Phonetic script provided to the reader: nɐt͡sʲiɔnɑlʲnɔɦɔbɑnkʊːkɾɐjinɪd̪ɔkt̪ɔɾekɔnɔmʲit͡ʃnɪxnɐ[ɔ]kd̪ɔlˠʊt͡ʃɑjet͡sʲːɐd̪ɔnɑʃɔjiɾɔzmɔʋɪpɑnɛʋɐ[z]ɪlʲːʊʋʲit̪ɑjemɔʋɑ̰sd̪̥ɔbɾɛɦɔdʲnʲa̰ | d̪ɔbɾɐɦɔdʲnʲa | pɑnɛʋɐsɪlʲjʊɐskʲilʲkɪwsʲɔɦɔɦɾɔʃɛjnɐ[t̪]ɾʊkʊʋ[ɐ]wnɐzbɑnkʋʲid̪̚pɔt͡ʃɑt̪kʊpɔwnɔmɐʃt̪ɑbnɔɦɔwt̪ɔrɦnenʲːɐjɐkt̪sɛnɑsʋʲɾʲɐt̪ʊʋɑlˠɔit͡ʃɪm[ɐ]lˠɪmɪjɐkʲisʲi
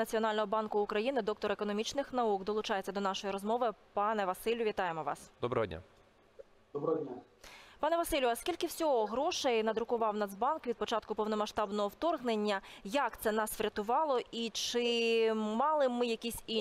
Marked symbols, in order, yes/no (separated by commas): no, no, no, no, no